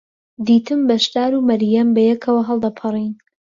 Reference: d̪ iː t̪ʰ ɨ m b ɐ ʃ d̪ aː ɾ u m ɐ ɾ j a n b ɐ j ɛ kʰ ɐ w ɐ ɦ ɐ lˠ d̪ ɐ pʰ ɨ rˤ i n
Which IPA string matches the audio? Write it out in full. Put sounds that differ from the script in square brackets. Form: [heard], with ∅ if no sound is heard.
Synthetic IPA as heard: d̪ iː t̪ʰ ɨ m b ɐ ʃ d̪ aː ɾ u m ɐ ɾ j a [m] b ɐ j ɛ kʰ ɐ w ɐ ɦ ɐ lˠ d̪ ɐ pʰ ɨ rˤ i n